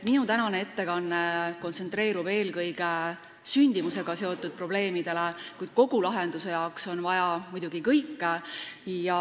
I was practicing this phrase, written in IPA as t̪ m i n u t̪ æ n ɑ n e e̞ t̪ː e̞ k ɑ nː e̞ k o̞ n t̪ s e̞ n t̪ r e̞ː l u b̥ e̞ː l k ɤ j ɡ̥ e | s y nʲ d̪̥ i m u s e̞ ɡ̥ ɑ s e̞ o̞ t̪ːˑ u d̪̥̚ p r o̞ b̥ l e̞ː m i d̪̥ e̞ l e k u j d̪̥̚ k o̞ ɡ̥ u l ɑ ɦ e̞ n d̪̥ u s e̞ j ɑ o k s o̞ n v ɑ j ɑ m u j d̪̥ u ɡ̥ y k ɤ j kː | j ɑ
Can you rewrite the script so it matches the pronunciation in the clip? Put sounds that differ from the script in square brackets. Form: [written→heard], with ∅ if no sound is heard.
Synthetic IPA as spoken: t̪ m i n u t̪ æ n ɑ n e e̞ t̪ː e̞ k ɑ nː e̞ k o̞ n t̪ s e̞ n t̪ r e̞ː [l→ɾ] u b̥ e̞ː l k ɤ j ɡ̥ e | s y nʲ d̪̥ i m u s e̞ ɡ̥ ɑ s e̞ o̞ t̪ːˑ u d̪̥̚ p r o̞ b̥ l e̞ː m i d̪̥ e̞ l e k u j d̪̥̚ k o̞ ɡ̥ u l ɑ ɦ e̞ n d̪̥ u s e̞ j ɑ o k s o̞ n v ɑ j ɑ m u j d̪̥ u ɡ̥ [y→i] k ɤ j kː | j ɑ